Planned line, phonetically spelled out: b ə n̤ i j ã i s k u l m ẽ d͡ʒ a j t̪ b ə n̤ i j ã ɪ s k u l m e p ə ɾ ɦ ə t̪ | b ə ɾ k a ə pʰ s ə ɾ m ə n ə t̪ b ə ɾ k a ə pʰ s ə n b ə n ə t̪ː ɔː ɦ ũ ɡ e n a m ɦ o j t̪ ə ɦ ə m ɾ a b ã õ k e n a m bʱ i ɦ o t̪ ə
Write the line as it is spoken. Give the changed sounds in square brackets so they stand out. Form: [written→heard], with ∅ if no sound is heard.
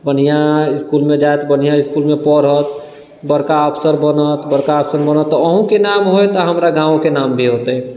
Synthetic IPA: b ə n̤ i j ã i s k u l m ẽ d͡ʒ a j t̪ b ə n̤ i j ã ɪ s k u l m e p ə ɾ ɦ ə t̪ | b ə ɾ k a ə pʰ s ə ɾ [m→b] ə n ə t̪ b ə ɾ k a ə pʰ s ə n b ə n ə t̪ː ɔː ɦ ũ [ɡ→k] e n a m ɦ o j t̪ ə ɦ ə m ɾ a [b→ɡ] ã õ k e n a m bʱ i ɦ o t̪ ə

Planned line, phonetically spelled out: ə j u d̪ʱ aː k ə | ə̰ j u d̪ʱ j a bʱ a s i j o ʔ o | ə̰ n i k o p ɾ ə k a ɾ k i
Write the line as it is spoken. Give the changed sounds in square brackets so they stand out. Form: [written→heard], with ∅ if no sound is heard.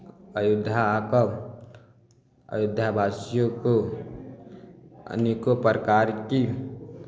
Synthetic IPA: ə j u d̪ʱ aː k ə | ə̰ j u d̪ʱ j a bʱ a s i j o [ʔ→k] o | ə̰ n i k o p ɾ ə k a ɾ k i

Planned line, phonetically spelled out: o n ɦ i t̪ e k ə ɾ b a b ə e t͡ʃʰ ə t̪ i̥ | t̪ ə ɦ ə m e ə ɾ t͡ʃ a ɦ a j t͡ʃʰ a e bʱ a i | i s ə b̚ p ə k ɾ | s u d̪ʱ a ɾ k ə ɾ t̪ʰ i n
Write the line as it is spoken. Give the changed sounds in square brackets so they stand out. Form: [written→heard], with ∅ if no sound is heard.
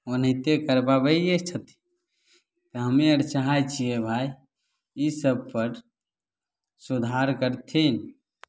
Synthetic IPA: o n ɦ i t̪ e k ə ɾ b a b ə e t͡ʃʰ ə t̪ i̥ | t̪ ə ɦ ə m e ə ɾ t͡ʃ a ɦ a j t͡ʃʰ [a→i] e bʱ a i | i s ə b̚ p ə [k→∅] ɾ | s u d̪ʱ a ɾ k ə ɾ t̪ʰ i n

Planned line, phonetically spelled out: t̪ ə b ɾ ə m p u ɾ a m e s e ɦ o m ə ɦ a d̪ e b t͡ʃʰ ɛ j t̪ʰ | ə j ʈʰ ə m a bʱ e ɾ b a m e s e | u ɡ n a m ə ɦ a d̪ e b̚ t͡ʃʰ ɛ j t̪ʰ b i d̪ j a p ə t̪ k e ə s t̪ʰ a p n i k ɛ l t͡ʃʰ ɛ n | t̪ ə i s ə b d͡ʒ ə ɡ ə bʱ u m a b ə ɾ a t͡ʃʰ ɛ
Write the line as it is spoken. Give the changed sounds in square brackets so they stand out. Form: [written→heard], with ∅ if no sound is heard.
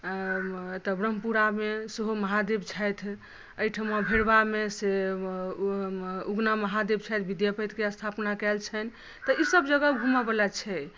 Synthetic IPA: t̪ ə b ɾ ə m p u ɾ a m e s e ɦ o m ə ɦ a d̪ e b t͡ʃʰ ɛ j t̪ʰ | ə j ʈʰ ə m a bʱ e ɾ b a m e s e | u ɡ n a m ə ɦ a d̪ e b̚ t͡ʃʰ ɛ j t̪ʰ b i d̪ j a p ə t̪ k e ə s t̪ʰ a p n [i→a] k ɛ l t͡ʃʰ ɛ n | t̪ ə i s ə b d͡ʒ ə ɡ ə bʱ u m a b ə [ɾ→l] a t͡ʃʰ ɛ

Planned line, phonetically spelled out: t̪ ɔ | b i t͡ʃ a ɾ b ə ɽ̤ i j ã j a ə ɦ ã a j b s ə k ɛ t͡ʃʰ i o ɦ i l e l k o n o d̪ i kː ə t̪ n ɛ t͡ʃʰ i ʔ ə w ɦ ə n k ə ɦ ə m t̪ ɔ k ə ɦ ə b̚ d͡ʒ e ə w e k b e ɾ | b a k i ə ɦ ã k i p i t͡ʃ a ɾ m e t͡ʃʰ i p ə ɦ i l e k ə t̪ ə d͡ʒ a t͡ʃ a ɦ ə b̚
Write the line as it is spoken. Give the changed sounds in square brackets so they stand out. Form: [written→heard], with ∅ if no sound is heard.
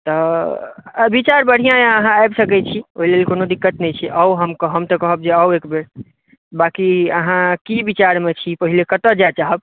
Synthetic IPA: t̪ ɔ | b i t͡ʃ a ɾ b ə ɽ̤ i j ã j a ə ɦ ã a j b s ə k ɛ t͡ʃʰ i o ɦ i l e l k o n o d̪ i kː ə t̪ n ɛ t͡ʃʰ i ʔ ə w ɦ ə [n→m] k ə ɦ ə m t̪ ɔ k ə ɦ ə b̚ d͡ʒ e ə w e k b e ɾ | b a k i ə ɦ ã k i [p→b] i t͡ʃ a ɾ m e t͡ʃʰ i p ə ɦ i l e k ə t̪ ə d͡ʒ a t͡ʃ a ɦ ə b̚

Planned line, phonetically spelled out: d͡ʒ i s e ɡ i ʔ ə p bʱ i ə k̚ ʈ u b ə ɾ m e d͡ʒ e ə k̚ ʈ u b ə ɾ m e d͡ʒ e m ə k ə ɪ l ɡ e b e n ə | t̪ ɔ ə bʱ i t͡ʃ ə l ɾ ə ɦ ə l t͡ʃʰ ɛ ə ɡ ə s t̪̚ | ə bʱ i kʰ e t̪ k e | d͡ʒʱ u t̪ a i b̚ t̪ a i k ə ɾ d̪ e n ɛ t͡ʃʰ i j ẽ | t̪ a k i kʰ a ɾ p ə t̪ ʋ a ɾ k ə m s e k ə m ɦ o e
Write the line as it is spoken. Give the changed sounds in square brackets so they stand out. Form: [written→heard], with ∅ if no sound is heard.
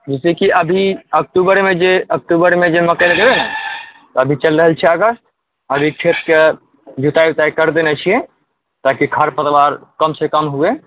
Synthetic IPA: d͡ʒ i s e [ɡ→k] i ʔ ə [p→∅] bʱ i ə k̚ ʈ u b ə ɾ m e d͡ʒ e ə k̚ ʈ u b ə ɾ m e d͡ʒ e m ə k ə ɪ l ɡ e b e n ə | t̪ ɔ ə bʱ i t͡ʃ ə l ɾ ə ɦ ə l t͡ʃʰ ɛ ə ɡ ə s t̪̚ | ə bʱ i kʰ e t̪ k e | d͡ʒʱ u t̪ a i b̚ t̪ a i k ə ɾ d̪ e n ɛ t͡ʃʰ i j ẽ | t̪ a k i kʰ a ɾ p ə t̪ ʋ a ɾ k ə m s e k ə m ɦ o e

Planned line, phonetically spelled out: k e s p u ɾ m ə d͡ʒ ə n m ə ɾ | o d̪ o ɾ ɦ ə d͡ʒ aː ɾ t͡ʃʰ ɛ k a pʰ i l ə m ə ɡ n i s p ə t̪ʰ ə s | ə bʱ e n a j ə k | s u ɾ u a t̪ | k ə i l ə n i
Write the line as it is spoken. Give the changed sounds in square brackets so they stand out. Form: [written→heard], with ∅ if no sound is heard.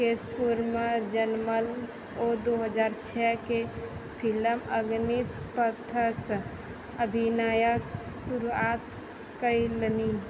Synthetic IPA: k e s p u ɾ m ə d͡ʒ ə n m ə [ɾ→l] | o d̪ o [ɾ→∅] ɦ ə d͡ʒ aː ɾ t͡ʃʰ ɛ k [a→e] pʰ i l ə m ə ɡ n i s p ə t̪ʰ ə s | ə bʱ [e→i] n a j ə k | s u ɾ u a t̪ | k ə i l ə n i

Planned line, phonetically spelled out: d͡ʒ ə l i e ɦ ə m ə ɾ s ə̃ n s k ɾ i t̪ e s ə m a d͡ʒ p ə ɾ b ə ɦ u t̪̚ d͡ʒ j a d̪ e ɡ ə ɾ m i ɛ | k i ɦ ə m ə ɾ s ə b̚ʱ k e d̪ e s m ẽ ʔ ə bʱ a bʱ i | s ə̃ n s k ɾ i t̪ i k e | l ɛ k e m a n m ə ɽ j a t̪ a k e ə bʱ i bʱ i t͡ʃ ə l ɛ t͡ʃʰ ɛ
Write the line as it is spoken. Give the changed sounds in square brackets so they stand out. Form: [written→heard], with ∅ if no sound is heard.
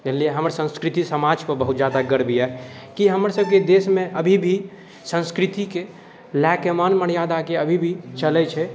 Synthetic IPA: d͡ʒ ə l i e ɦ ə m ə ɾ s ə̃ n s k ɾ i t̪ [e→i] s ə m a d͡ʒ p ə ɾ b ə ɦ u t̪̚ d͡ʒ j a d̪ [e→a] ɡ ə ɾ [m→b] i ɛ | k i ɦ ə m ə ɾ s ə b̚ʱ k e d̪ e s m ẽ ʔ ə bʱ [a→i] bʱ i | s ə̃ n s k ɾ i t̪ i k e | l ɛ k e m a n m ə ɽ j a [t̪→d̪] a k e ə bʱ i bʱ i t͡ʃ ə l ɛ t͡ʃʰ ɛ

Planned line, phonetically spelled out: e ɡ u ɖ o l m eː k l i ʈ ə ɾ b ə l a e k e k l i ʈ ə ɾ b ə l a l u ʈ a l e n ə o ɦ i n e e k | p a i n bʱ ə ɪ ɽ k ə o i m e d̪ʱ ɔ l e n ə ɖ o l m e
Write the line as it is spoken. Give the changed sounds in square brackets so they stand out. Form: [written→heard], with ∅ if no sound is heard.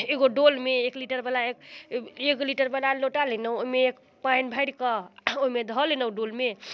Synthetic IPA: e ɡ [u→o] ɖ o l m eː k l i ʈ ə ɾ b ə l a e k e k l i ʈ ə ɾ b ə l a l [u→o] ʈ a l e n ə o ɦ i [n→m] e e k | p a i n bʱ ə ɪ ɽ k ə o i m e d̪ʱ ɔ l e n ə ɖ o l m e

